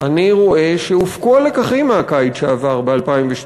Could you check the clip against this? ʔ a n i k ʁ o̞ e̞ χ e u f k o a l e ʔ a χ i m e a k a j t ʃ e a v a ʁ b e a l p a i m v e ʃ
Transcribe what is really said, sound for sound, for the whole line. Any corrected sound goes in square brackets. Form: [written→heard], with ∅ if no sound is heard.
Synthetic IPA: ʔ a n i [k→∅] ʁ o̞ e̞ [χ→ʃ] e u f k o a l e [ʔ→k] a χ i m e a k a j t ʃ e a v a ʁ b e a l p a i m v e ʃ